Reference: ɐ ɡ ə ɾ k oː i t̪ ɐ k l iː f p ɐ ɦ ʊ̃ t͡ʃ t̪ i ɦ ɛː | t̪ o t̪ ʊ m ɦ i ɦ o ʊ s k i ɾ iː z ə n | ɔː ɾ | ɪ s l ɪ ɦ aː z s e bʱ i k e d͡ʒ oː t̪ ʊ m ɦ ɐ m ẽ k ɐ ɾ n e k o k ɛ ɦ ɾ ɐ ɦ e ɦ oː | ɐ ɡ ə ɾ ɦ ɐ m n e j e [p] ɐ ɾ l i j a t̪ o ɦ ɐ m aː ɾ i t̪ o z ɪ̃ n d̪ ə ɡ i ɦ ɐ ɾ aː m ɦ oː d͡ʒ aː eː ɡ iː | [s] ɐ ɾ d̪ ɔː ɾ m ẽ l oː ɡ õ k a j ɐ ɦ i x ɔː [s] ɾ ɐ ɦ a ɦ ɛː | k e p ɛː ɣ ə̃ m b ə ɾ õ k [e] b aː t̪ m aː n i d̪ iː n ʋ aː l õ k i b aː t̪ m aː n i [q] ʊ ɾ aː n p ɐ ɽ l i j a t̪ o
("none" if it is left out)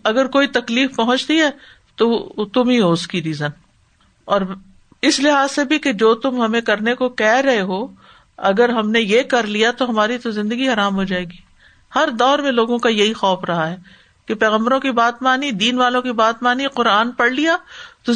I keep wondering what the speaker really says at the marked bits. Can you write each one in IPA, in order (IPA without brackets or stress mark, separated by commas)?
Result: k, h, f, i, q